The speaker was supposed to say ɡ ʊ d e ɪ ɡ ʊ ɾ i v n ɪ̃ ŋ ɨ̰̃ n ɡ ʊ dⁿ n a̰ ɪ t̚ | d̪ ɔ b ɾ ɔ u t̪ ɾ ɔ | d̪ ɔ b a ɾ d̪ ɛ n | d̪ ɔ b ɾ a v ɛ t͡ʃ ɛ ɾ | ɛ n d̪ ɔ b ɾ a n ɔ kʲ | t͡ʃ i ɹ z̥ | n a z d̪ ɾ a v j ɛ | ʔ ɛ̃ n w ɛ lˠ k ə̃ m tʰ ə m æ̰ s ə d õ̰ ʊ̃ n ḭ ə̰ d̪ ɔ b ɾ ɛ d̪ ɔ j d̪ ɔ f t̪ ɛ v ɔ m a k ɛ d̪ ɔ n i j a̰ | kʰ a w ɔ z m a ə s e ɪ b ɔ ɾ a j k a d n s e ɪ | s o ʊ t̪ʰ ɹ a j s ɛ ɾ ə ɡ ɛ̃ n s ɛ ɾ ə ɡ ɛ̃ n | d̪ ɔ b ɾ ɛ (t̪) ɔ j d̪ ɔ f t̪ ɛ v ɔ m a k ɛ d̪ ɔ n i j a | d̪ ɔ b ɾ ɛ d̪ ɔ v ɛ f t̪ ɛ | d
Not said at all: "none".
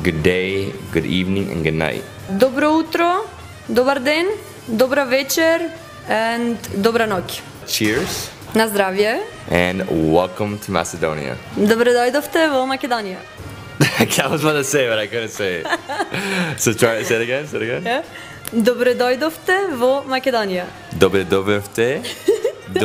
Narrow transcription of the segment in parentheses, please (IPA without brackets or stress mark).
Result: d̪